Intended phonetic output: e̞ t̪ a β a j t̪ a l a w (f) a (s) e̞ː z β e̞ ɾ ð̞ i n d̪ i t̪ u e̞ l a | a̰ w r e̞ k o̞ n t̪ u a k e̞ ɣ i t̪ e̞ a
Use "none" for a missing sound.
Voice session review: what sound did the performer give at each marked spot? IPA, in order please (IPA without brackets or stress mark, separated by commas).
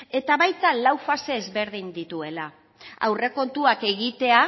f, s